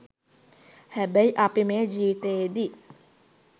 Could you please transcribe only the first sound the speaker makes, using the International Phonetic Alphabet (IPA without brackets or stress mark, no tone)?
h